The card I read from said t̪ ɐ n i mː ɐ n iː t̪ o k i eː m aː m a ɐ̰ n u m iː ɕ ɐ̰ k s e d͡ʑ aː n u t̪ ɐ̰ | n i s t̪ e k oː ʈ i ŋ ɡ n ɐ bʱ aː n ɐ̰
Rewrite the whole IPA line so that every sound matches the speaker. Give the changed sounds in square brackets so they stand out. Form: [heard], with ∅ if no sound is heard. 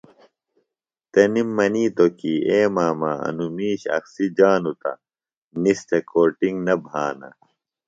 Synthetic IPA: t̪ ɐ n i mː ɐ n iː t̪ o k i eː m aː m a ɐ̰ n u m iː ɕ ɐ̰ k s [i] d͡ʑ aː n u t̪ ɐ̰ | n i s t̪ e k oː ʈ i ŋ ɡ n ɐ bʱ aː n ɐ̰